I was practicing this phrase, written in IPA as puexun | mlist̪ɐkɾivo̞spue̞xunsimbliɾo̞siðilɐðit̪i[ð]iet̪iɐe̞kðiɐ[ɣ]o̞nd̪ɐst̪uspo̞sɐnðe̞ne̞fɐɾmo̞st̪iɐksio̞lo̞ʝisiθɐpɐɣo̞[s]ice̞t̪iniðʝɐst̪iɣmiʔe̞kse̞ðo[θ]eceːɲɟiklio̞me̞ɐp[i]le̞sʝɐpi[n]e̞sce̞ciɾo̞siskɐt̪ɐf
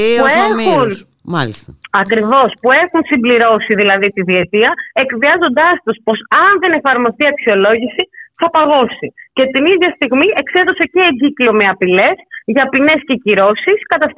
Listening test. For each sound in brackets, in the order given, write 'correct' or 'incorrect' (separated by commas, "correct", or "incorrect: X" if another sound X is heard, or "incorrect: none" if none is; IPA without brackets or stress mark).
correct, incorrect: z, correct, incorrect: s, correct, correct